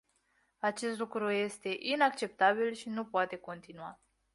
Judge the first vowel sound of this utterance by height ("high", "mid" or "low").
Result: low